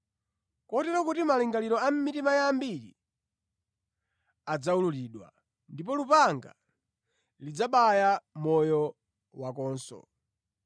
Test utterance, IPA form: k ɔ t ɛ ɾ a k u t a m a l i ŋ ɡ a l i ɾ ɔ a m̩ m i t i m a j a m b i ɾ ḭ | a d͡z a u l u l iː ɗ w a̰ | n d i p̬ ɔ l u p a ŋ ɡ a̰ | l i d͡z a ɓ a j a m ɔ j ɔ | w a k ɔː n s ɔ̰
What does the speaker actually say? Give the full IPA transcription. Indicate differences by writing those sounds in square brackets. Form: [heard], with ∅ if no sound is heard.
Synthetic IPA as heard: k ɔ t ɛ ɾ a k u t [i] m a l i ŋ ɡ a l i ɾ ɔ a m̩ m i t i m a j a m b i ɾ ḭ | a d͡z a u l u l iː ɗ w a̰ | n d i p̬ ɔ l u p a ŋ ɡ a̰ | l i d͡z a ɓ a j a m ɔ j ɔ | w a k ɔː n s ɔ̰